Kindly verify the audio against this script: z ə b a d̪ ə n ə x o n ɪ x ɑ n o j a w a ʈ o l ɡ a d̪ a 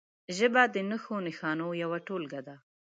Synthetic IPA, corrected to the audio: ʒ ə b a d̪ ə n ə x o n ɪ x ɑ n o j a w a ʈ o l ɡ a d̪ a

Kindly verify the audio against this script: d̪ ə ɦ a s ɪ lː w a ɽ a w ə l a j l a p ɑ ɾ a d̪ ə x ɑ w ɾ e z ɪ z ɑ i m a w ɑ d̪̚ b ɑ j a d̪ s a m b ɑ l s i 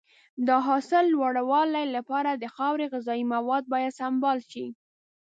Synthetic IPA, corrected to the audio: d̪ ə ɦ ɑ s ɪ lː w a ɽ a w ɑ l a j l a p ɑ ɾ a d̪ ə x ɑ w ɾ e ɣ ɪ z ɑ i m a w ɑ d̪̚ b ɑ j a d̪ s a m b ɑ l ʃ i

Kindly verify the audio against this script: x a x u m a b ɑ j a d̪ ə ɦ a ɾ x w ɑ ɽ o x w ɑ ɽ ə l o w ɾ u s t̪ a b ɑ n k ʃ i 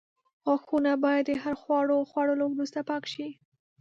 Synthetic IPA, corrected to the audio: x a x u n a b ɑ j a d̪ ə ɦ a ɾ x w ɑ ɽ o x w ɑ ɽ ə l o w ɾ u s t̪ a p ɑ k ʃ i

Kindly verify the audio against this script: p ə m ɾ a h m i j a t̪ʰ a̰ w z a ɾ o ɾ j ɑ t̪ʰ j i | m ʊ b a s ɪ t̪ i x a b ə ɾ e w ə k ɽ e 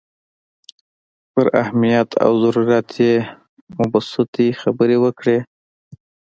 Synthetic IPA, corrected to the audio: p ə ɾ a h m i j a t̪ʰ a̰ w z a ɾ u ɾ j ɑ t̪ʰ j e | m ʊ b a s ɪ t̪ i x a b ə ɾ e w ə k ɽ e

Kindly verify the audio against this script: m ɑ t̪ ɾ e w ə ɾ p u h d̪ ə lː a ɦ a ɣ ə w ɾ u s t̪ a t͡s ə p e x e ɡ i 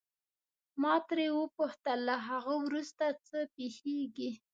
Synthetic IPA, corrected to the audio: m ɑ t̪ ɾ e w ə p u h t̪ ə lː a ɦ a ɣ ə w ɾ u s t̪ a t͡s ə p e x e ɡ i

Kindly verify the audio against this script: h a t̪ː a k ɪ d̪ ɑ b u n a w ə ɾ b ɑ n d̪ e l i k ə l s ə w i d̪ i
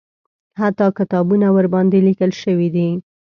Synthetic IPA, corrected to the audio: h a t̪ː ɑ k ɪ t̪ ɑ b u n a w ə ɾ b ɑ n d̪ e l i k ə l ʃ ə w i d̪ i

